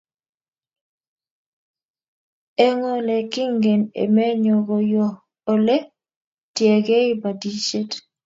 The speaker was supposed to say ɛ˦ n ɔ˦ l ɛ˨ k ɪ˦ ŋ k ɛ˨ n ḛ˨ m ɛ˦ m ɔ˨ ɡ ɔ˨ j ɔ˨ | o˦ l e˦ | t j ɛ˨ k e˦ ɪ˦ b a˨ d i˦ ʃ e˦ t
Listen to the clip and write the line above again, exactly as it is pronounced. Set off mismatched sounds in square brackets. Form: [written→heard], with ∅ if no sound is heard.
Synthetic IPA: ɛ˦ [n→ŋ] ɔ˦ l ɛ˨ k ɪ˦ ŋ [k→ɡ] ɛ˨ n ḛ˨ m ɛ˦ [m→ɲ] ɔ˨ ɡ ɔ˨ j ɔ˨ | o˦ l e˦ | t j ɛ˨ [k→ɡ] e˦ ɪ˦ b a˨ d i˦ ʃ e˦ t